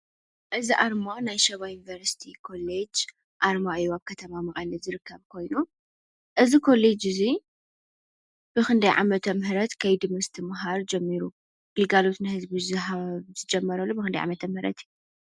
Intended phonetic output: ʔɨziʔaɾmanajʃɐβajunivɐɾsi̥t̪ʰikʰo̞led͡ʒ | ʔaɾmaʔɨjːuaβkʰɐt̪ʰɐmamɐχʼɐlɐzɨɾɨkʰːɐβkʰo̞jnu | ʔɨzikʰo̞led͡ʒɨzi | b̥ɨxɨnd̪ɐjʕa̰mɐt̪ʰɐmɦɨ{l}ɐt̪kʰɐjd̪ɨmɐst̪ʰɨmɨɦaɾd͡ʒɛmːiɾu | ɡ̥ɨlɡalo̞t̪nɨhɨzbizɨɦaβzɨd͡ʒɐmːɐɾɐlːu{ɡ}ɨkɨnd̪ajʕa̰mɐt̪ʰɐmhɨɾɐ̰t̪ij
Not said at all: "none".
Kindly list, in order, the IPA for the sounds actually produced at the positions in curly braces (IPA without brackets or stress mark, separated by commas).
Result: ɾ, b